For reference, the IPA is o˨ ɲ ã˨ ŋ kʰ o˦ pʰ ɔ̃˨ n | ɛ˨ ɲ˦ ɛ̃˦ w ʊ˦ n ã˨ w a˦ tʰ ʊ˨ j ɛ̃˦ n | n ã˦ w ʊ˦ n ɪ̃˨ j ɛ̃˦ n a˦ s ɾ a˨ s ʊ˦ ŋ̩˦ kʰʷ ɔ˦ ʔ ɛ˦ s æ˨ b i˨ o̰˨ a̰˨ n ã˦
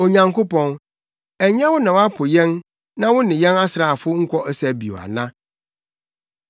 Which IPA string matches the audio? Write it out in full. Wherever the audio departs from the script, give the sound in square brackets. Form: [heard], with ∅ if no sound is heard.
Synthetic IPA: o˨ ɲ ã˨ ŋ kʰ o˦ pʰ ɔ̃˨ n | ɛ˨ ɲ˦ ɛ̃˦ w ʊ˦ n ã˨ w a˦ [pʰ] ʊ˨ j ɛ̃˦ n | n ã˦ w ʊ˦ n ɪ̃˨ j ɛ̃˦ n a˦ s ɾ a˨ [f] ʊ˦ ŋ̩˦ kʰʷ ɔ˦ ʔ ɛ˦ s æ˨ b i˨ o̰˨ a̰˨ n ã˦